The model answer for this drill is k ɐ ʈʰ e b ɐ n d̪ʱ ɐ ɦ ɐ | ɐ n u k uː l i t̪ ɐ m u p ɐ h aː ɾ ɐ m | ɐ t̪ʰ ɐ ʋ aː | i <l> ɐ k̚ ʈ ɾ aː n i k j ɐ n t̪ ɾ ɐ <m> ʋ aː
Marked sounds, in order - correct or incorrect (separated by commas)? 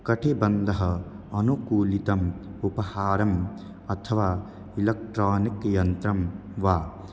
correct, correct